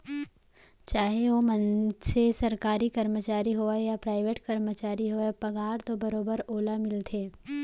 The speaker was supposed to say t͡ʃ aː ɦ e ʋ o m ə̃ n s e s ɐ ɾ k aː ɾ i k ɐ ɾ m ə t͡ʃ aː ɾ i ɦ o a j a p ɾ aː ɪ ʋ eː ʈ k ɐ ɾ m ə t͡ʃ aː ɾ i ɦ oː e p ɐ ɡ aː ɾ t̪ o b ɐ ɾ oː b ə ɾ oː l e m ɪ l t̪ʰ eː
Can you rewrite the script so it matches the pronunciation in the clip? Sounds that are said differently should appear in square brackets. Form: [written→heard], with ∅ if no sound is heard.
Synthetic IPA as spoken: t͡ʃ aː ɦ e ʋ o m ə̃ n s e s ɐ ɾ k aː ɾ i k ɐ ɾ m ə t͡ʃ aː ɾ i ɦ o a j a p ɾ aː ɪ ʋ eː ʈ k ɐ ɾ m ə t͡ʃ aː ɾ i ɦ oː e p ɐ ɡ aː ɾ t̪ o b ɐ ɾ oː b ə ɾ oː l [e→a] m ɪ l t̪ʰ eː